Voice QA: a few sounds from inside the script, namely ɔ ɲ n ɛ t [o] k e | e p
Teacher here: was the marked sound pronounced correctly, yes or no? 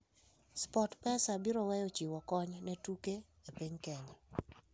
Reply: no